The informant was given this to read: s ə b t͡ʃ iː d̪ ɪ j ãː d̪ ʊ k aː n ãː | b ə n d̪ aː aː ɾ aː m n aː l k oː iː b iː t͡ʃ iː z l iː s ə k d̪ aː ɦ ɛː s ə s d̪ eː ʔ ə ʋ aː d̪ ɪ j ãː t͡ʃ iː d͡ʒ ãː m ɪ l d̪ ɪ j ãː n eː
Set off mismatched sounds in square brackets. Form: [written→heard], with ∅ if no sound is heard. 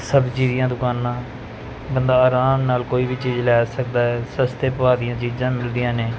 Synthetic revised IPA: s ə b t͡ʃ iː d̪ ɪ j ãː d̪ ʊ k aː n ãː | b ə n d̪ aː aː ɾ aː m n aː l k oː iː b iː t͡ʃ iː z l [iː→ɛː] s ə k d̪ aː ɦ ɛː s ə s [d̪→t̪] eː [ʔ→p] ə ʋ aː d̪ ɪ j ãː t͡ʃ iː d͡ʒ ãː m ɪ l d̪ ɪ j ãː n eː

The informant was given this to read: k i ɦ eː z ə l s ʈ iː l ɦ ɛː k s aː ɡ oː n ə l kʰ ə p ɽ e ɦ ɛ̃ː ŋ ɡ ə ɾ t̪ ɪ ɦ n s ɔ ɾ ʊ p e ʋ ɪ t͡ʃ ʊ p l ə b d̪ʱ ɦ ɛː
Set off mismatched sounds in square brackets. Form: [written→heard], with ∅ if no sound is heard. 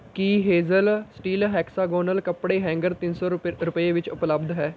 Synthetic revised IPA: k i ɦ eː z ə l s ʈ iː l ɦ ɛː k s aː ɡ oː n ə l [kʰ→k] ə p ɽ e ɦ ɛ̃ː ŋ ɡ ə ɾ t̪ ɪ [ɦ→∅] n s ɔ ɾ ʊ p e ʋ ɪ t͡ʃ ʊ p l ə b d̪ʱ ɦ ɛː

